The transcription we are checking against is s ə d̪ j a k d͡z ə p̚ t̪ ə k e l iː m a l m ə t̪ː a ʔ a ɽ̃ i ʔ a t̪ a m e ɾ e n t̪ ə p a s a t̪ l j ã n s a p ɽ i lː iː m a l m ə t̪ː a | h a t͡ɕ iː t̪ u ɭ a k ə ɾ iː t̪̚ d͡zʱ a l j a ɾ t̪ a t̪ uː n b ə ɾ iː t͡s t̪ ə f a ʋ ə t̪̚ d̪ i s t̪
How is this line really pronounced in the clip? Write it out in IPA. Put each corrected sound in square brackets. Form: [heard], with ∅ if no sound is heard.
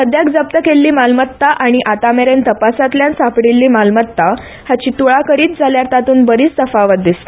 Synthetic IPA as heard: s ə d̪ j a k d͡z ə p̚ t̪ ə k e [lː] iː m a l m ə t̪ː a ʔ a ɽ̃ i ʔ a t̪ a m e ɾ e n t̪ ə p a s a t̪ l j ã n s a p ɽ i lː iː m a l m ə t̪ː a | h a t͡ɕ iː t̪ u ɭ a k ə ɾ iː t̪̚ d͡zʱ a l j a ɾ t̪ a t̪ uː n b ə ɾ iː t͡s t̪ ə f a ʋ ə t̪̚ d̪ i s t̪

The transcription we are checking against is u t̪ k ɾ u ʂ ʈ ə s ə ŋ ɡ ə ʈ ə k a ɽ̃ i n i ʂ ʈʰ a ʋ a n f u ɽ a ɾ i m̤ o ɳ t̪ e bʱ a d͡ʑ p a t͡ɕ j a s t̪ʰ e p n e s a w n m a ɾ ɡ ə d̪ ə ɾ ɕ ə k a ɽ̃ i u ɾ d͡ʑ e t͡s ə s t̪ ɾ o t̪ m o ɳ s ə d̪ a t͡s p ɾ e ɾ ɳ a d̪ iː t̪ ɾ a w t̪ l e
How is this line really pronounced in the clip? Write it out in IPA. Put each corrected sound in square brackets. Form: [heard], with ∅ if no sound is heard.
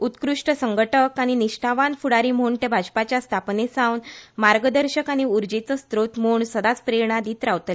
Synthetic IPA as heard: u t̪ k ɾ u ʂ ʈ ə s ə ŋ ɡ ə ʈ ə k a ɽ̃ i n i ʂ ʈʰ a ʋ a n f u ɽ a ɾ i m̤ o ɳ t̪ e bʱ a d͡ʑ p a t͡ɕ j a s t̪ʰ [a] p n e s a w n m a ɾ ɡ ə d̪ ə ɾ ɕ ə k a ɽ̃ i u ɾ d͡ʑ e t͡s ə s t̪ ɾ o t̪ m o ɳ s ə d̪ a t͡s p ɾ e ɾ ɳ a d̪ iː t̪ ɾ a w t̪ l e

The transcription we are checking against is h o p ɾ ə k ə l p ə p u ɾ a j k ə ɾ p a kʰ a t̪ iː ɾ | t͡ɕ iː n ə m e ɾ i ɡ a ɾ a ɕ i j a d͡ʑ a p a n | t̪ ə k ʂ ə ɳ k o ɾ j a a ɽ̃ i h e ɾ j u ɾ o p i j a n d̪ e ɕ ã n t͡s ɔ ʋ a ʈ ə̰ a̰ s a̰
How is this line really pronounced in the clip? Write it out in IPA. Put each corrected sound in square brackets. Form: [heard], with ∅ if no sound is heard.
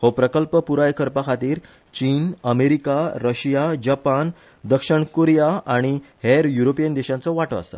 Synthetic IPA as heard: h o p ɾ ə k ə l p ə p u ɾ a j k ə ɾ p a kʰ a t̪ iː ɾ | t͡ɕ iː n ə m e ɾ i [k] a ɾ [ə] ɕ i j a d͡ʑ a p a n | [d̪] ə k ʂ ə ɳ k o ɾ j a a ɽ̃ i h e ɾ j u ɾ o p i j [ə] n d̪ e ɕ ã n t͡s ɔ ʋ a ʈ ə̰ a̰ s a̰

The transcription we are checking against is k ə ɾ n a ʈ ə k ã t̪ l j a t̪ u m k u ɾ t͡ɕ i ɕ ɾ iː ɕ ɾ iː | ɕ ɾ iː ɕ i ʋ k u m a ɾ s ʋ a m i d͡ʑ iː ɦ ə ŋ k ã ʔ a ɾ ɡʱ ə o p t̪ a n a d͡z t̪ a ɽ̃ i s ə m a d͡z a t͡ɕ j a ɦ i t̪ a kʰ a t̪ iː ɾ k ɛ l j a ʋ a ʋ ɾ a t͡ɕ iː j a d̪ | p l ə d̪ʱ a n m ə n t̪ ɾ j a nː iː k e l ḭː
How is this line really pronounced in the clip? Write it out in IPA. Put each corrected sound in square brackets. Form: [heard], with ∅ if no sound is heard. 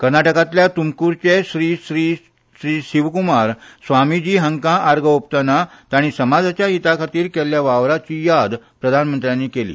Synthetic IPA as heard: k ə ɾ n a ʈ ə k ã t̪ l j a t̪ u m k u ɾ t͡ɕ [e] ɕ ɾ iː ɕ ɾ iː | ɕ ɾ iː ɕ i ʋ k u m a ɾ s ʋ a m i d͡ʑ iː ɦ ə ŋ k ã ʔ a ɾ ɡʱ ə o p t̪ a n a [∅] t̪ a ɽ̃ i s ə m a d͡z a t͡ɕ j a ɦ i t̪ a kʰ a t̪ iː ɾ k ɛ l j a ʋ a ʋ ɾ a t͡ɕ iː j a d̪ | p [ɾ] ə d̪ʱ a n m ə n t̪ ɾ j a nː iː k e l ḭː

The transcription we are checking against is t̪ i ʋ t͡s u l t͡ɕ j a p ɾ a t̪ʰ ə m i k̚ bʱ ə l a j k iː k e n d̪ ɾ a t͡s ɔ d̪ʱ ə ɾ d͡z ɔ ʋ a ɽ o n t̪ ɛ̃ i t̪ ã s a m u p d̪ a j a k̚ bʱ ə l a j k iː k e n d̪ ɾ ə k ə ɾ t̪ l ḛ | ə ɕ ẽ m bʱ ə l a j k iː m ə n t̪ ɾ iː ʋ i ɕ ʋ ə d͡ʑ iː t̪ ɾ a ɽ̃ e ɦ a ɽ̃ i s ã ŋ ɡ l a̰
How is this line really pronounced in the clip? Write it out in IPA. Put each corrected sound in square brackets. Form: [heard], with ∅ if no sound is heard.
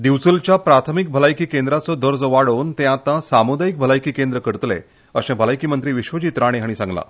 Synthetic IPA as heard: [d̪] i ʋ t͡s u l t͡ɕ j a p ɾ a t̪ʰ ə m i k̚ bʱ ə l a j k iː k e n d̪ ɾ a t͡s ɔ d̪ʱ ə ɾ d͡z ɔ ʋ a ɽ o n t̪ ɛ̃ [a] t̪ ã s a m u [∅] d̪ a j [i] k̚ bʱ ə l a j k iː k e n d̪ ɾ ə k ə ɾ t̪ l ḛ | ə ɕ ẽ [∅] bʱ ə l a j k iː m ə n t̪ ɾ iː ʋ i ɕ ʋ ə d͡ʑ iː t̪ ɾ a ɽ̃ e ɦ a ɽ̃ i s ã ŋ ɡ l a̰

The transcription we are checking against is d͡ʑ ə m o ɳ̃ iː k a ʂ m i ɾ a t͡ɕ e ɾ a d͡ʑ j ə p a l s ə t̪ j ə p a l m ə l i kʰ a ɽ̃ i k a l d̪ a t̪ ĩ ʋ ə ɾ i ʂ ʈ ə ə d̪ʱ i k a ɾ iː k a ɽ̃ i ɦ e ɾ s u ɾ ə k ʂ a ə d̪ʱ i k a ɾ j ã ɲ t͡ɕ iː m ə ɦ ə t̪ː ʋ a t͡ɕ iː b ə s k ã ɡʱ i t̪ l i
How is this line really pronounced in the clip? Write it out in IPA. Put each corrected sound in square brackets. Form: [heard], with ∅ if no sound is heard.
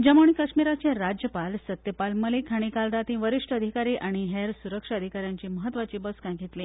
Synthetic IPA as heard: d͡ʑ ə m o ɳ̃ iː k [ə] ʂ m i ɾ a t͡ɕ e ɾ a d͡ʑ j ə p a l s ə t̪ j ə p a l m ə l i kʰ a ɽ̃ i k a l d̪ a t̪ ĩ ʋ ə ɾ i ʂ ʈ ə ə d̪ʱ i k a ɾ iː [ʔ] a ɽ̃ i ɦ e ɾ s u ɾ ə k ʂ a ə d̪ʱ i k a ɾ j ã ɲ t͡ɕ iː m ə ɦ ə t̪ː ʋ a t͡ɕ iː b ə s k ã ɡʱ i t̪ l i

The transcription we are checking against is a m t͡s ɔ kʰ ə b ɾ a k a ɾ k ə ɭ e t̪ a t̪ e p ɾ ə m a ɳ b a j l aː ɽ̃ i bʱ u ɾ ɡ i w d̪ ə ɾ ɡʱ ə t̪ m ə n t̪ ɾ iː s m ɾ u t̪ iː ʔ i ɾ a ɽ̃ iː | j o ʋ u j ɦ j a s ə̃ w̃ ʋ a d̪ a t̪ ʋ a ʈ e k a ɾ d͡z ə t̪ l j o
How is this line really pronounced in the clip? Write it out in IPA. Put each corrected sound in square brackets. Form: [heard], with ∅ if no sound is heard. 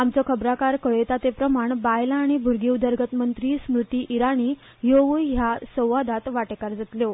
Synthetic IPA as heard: a m t͡s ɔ kʰ ə b ɾ a k a ɾ k ə ɭ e t̪ a t̪ e p ɾ ə m a ɳ b a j l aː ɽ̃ i bʱ u ɾ ɡ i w d̪ ə ɾ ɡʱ ə t̪ m ə n t̪ ɾ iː s m ɾ u t̪ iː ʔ i ɾ a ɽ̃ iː | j o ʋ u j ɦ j a s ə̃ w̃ ʋ a d̪ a t̪ ʋ a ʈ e k a ɾ d͡z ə t̪ l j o

